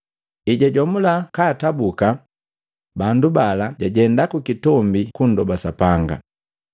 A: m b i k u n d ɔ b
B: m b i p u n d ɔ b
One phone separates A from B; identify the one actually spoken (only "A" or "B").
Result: A